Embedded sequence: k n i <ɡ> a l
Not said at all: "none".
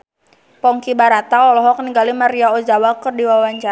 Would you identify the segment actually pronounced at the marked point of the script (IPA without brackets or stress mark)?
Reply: ɡ